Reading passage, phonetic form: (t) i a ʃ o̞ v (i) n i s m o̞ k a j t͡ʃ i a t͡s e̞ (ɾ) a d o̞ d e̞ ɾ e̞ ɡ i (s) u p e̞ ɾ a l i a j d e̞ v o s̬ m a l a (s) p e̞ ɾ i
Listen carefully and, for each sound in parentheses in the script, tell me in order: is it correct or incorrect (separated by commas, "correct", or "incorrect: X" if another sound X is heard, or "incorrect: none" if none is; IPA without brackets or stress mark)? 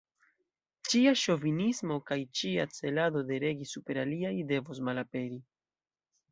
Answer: incorrect: t͡ʃ, correct, incorrect: l, correct, incorrect: none